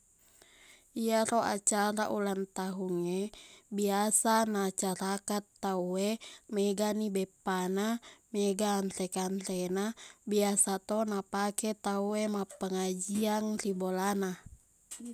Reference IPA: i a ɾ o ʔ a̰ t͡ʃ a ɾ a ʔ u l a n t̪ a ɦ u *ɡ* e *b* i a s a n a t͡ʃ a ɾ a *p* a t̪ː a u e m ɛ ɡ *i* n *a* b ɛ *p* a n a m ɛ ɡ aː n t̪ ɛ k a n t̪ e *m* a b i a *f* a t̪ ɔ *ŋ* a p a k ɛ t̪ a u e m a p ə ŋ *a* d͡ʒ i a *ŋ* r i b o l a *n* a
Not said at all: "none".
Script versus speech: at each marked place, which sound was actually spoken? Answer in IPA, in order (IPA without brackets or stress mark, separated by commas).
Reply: ŋ, b, k, a, i, p, n, s, n, a, ŋ, n